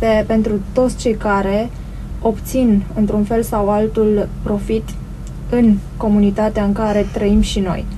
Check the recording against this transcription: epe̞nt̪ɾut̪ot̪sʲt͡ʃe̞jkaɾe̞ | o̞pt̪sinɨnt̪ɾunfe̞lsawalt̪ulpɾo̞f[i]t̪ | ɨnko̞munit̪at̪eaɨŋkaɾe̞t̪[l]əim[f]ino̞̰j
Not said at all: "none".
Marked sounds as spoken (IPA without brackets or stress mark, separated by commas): i, ɾ, ʃ